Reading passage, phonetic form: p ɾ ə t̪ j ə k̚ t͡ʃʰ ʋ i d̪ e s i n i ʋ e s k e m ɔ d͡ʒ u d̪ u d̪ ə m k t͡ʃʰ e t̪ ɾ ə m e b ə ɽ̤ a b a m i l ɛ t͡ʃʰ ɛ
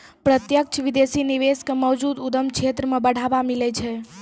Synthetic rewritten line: p ɾ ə t̪ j ə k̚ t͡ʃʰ ʋ i d̪ e s i n i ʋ e s k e m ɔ d͡ʒ u d̪ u d̪ ə m k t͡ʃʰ e t̪ ɾ ə m e b ə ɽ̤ a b a m i l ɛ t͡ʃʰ ɛ